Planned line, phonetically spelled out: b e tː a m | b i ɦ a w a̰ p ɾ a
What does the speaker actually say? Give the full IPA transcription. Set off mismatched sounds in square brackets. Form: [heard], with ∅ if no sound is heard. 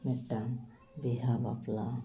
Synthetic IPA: [m] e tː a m | b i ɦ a [b] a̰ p [l] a